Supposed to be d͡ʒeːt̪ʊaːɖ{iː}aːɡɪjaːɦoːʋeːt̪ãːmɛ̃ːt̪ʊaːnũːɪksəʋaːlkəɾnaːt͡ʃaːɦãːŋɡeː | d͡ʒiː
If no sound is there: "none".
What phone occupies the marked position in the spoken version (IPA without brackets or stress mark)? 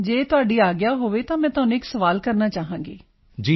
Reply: iː